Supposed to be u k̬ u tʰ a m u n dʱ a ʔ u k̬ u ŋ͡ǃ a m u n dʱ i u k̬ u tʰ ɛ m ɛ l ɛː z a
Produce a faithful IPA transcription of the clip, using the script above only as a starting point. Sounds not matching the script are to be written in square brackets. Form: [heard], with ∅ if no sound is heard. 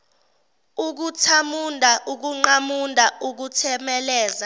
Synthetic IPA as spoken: u k̬ u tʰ a m u n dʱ a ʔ u k̬ u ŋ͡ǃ a m u n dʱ [a] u k̬ u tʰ ɛ m ɛ l ɛː z a

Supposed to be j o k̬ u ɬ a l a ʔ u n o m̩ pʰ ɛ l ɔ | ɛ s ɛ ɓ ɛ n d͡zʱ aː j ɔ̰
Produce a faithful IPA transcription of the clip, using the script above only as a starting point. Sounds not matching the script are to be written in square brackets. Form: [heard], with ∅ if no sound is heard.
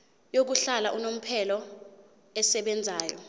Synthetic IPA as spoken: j o k̬ u ɬ a l a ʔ u n o m̩ pʰ ɛ l ɔ | ɛ s ɛ ɓ ɛ n d͡zʱ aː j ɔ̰

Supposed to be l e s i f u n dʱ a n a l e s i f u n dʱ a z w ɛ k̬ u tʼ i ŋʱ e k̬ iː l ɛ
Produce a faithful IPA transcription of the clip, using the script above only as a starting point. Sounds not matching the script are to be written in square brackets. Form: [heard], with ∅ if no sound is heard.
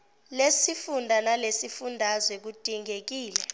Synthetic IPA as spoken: l e s i f u n dʱ a n a l e s i f u n dʱ a z w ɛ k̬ u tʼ i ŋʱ e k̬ iː l ɛ

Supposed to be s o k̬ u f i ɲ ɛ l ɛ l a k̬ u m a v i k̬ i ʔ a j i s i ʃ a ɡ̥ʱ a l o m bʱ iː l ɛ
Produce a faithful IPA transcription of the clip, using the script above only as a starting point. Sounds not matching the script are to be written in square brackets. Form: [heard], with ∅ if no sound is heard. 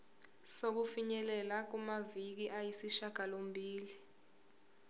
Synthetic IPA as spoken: s o k̬ u f i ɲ ɛ l ɛ l a k̬ u m a v i k̬ i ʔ a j i s i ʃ a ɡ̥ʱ a l o m bʱ iː l [i]

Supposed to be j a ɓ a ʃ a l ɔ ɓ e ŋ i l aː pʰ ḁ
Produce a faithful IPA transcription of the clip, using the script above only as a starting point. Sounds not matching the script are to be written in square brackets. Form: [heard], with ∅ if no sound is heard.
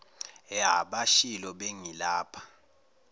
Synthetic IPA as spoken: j a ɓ a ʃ [i] l ɔ ɓ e ŋ i l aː pʰ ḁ

